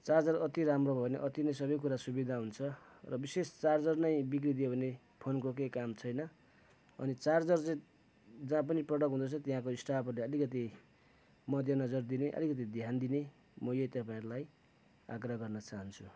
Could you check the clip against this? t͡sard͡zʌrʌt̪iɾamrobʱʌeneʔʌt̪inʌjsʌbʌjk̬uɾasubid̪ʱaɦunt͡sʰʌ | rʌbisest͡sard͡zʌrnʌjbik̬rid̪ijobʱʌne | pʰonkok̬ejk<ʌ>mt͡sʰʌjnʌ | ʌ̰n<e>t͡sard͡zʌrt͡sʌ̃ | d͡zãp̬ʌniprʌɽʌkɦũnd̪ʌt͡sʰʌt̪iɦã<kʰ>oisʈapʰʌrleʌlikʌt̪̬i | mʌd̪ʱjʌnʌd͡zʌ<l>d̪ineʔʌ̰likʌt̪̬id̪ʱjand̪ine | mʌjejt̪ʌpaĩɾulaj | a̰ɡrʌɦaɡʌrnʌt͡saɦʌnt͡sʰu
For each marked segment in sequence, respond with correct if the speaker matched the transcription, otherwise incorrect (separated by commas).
incorrect, incorrect, incorrect, incorrect